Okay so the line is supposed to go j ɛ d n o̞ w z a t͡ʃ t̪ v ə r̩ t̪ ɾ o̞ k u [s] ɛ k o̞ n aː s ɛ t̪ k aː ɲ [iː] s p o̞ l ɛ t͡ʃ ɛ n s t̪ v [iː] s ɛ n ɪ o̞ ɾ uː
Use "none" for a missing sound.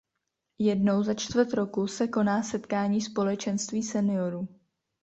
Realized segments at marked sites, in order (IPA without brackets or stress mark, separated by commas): s, iː, iː